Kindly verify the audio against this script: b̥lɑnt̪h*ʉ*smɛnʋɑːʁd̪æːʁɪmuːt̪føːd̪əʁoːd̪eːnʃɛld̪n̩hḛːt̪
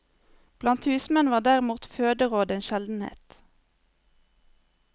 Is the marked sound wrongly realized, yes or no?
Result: yes